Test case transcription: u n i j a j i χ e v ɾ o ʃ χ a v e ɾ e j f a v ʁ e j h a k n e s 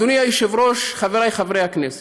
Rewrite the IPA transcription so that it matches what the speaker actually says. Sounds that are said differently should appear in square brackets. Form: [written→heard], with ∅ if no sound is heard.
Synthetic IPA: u n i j a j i [χ→ʃ] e v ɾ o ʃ χ a v e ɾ [e→a] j [f→χ] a v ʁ e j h a k n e s